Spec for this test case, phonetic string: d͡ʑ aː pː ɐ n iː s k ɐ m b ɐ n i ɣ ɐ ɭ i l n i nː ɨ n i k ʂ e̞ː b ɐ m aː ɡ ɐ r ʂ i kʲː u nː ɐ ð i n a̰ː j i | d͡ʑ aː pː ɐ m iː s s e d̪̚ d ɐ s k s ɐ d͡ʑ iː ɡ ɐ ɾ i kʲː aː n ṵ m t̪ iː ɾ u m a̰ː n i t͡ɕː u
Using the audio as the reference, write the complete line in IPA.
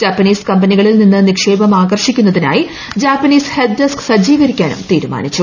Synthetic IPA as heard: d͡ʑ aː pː ɐ n iː s k ɐ m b ɐ n i ɣ ɐ ɭ i l n i nː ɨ n i k ʂ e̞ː b ɐ m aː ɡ ɐ r ʂ i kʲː u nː ɐ ð i n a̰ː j i | d͡ʑ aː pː ɐ n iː s h e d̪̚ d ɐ s k s ɐ d͡ʑ iː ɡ ɐ ɾ i kʲː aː n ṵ m t̪ iː ɾ u m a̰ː n i t͡ɕː u

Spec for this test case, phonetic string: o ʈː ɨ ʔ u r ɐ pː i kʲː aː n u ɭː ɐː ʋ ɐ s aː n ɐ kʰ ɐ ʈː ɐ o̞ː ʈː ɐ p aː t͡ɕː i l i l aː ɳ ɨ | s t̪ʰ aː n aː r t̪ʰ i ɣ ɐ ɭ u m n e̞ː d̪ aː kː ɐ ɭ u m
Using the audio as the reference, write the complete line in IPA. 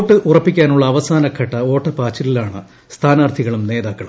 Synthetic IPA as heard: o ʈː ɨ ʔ u r ɐ pː i kʲː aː n u ɭː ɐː ʋ ɐ s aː n ɐ kʰ ɐ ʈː ɐ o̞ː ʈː ɐ p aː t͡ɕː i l i l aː ɳ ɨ | s t̪ʰ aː n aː r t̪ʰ i ɣ ɐ ɭ u m n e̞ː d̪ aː kː ɐ ɭ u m

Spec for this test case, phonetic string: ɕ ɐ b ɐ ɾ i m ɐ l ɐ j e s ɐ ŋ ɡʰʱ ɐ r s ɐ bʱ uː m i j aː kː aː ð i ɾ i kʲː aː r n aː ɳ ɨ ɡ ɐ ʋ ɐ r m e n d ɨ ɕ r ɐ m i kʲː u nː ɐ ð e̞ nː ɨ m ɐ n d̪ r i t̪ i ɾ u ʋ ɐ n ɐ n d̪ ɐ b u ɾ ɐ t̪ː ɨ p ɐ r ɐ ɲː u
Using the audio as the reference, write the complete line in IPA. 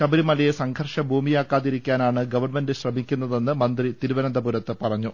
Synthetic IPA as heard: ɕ ɐ b ɐ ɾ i m ɐ l ɐ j e s ɐ ŋ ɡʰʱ ɐ r ʂ ɐ bʱ uː m i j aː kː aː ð i ɾ i kʲː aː n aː ɳ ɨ ɡ ɐ ʋ ɐ r m e n d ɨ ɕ r ɐ m i kʲː u nː ɐ ð e̞ nː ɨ m ɐ n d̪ r i t̪ i ɾ u ʋ ɐ n ɐ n d̪ ɐ b u ɾ ɐ t̪ː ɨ p ɐ r ɐ ɲː u

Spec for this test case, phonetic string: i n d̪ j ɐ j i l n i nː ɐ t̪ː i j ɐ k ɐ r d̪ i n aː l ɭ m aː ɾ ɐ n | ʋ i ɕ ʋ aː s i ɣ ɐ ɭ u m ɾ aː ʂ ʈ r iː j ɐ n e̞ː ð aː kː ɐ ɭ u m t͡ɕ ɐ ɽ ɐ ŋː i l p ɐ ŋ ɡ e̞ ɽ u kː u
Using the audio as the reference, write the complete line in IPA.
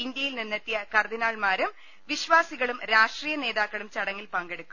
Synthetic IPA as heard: i n d̪ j ɐ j i l n i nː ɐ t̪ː i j ɐ k ɐ r d̪ i n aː ɭ m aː ɾ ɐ m | ʋ i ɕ ʋ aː s i ɣ ɐ ɭ u m ɾ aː ʂ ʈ r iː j ɐ n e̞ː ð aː kː ɐ ɭ u m t͡ɕ ɐ ɽ ɐ ŋː i l p ɐ ŋ ɡ e̞ ɽ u kː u

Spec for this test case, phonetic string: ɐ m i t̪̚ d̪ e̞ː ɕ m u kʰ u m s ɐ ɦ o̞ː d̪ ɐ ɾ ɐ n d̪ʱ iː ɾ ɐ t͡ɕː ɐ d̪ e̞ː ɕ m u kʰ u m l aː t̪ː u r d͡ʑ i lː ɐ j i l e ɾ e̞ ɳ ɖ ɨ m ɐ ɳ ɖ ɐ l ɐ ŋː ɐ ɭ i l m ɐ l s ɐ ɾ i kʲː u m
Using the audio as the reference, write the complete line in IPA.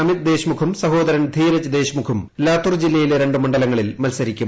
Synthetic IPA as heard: ɐ m i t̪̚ d̪ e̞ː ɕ m u kʰ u m s ɐ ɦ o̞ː d̪ ɐ ɾ ɐ n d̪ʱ iː ɾ ɐ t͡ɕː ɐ d̪ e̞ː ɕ m u kʰ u m l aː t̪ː u r d͡ʑ i lː ɐ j i l e ɾ e̞ ɳ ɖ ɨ m ɐ ɳ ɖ ɐ l ɐ ŋː ɐ ɭ i l m ɐ l s ɐ ɾ i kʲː u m

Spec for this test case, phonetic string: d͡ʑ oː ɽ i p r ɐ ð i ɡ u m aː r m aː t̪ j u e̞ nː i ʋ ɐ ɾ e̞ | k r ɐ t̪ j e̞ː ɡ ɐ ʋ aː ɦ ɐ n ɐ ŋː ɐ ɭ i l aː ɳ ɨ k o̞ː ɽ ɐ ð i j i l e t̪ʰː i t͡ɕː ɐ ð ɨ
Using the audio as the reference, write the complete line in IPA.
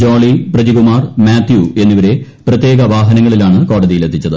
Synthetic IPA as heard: d͡ʑ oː ɭ i p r ɐ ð i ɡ u m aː r m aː t̪ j u e̞ nː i ʋ ɐ ɾ e̞ | p r ɐ t̪ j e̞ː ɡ ɐ ʋ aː ɦ ɐ n ɐ ŋː ɐ ɭ i l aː ɳ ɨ k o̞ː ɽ ɐ ð i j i l e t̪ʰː i t͡ɕː ɐ ð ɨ

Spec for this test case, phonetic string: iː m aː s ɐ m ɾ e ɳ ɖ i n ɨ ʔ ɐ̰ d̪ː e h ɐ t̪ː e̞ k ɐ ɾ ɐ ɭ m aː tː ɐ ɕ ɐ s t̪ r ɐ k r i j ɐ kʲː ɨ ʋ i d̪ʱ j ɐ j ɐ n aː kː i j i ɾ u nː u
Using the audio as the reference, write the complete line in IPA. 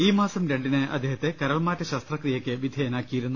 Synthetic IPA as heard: iː m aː s ɐ m ɾ e ɳ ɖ i n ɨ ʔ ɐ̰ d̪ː e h ɐ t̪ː e̞ k ɐ ɾ ɐ ɭ m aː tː ɐ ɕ ɐ s t̪ r ɐ k r i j ɐ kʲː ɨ ʋ i d̪ʱ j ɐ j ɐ n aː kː i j i ɾ u nː u

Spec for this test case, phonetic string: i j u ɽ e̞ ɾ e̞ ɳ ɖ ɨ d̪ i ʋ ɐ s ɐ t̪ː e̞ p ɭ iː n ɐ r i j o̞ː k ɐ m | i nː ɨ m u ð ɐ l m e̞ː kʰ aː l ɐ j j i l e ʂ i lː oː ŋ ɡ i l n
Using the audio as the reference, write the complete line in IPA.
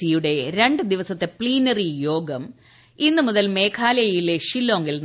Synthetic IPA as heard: i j u ɽ e̞ ɾ e̞ ɳ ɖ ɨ d̪ i ʋ ɐ s ɐ t̪ː e̞ p ɭ iː n ɐ r i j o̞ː ɡ ɐ m | i nː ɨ m u ð ɐ l m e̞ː kʰ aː l ɐ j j i l e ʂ i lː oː ŋ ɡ i l n

